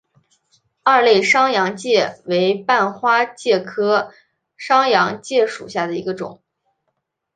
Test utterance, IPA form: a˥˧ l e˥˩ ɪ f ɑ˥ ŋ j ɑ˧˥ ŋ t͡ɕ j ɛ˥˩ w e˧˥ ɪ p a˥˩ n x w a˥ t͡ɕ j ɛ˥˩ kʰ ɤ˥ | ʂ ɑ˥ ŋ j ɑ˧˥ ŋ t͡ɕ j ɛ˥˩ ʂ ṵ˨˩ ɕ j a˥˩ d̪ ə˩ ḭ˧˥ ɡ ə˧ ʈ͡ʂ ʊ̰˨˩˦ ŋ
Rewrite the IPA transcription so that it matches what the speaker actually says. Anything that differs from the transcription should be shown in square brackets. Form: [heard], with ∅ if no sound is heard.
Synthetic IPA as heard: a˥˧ l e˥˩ ɪ [ʂ] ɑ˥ ŋ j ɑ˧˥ ŋ t͡ɕ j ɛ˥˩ w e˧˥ ɪ p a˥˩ n x w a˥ t͡ɕ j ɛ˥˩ kʰ ɤ˥ | ʂ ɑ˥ ŋ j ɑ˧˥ ŋ t͡ɕ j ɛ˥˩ ʂ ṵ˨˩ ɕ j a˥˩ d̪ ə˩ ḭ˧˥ ɡ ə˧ ʈ͡ʂ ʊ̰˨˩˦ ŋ

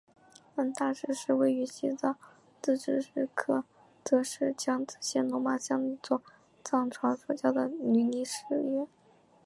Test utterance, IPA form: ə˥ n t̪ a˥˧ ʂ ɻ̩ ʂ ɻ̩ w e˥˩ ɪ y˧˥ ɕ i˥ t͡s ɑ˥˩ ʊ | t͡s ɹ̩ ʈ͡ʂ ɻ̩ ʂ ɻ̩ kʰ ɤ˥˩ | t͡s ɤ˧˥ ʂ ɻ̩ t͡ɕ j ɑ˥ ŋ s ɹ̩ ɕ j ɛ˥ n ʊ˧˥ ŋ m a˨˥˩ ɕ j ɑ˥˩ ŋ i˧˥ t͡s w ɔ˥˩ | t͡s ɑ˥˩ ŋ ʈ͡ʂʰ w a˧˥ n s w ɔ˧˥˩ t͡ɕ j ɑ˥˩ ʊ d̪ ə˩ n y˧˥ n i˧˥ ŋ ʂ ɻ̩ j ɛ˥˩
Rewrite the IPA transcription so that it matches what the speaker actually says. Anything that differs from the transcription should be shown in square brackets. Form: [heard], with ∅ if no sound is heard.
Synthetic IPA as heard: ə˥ n t̪ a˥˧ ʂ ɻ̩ ʂ ɻ̩ w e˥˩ ɪ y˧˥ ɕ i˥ t͡s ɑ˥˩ ʊ | t͡s ɹ̩ ʈ͡ʂ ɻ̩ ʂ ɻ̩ kʰ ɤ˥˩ | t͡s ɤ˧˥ ʂ ɻ̩ t͡ɕ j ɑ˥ ŋ [t͡s] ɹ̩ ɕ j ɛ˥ n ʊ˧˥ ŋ m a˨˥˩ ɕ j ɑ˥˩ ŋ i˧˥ t͡s w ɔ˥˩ | t͡s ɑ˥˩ ŋ ʈ͡ʂʰ w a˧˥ n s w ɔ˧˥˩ t͡ɕ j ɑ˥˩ ʊ d̪ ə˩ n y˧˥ n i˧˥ [∅] ʂ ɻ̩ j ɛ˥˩

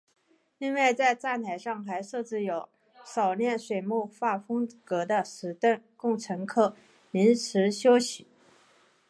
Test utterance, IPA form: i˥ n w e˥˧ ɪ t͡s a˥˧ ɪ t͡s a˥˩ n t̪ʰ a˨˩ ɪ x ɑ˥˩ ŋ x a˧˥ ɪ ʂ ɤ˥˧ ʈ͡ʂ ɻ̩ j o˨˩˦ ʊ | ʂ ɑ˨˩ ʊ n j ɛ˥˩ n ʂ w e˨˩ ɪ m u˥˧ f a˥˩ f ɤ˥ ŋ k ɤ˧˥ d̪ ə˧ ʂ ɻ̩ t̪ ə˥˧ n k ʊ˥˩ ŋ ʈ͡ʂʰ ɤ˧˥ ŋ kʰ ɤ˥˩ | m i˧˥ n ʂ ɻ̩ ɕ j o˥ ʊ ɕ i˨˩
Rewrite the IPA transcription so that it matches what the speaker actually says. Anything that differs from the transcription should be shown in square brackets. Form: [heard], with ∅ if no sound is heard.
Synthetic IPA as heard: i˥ n w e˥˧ ɪ t͡s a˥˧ ɪ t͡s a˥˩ n t̪ʰ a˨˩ ɪ [ʂ] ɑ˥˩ ŋ x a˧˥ ɪ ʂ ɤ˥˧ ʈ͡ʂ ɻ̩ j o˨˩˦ ʊ | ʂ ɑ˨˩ ʊ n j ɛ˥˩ n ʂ w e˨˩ ɪ m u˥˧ f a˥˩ f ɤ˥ ŋ k ɤ˧˥ d̪ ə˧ ʂ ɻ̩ t̪ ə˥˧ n k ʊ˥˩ ŋ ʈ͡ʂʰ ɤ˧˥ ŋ kʰ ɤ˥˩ | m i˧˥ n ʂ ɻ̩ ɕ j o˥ ʊ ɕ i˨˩

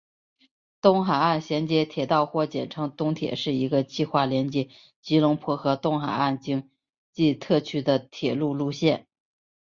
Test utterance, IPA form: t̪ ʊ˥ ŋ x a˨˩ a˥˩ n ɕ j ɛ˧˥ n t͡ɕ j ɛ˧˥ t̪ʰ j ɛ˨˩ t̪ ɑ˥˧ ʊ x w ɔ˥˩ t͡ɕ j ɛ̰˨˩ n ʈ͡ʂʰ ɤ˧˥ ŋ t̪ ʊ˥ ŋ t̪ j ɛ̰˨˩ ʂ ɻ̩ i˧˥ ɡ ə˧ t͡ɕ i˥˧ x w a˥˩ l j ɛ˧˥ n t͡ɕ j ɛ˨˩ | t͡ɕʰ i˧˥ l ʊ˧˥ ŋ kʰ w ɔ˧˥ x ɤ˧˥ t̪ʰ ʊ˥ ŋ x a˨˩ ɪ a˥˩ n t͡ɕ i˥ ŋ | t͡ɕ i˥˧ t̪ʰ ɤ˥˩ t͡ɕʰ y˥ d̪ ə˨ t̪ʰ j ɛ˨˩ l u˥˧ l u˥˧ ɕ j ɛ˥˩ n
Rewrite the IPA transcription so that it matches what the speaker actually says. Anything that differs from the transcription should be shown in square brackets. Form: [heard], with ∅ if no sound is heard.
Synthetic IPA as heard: t̪ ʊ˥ ŋ x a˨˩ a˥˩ n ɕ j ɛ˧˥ n t͡ɕ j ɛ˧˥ t̪ʰ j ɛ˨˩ t̪ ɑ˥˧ ʊ x w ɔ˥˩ t͡ɕ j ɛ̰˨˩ n ʈ͡ʂʰ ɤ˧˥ ŋ t̪ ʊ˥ ŋ [t̪ʰ] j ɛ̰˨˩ ʂ ɻ̩ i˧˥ ɡ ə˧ t͡ɕ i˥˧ x w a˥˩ l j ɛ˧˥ n t͡ɕ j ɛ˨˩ | [t͡ɕ] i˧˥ l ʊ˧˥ ŋ [pʰ] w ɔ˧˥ x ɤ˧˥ [t̪] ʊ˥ ŋ x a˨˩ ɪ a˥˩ n t͡ɕ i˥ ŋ | t͡ɕ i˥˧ t̪ʰ ɤ˥˩ t͡ɕʰ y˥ d̪ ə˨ t̪ʰ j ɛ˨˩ l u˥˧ l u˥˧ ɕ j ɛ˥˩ n

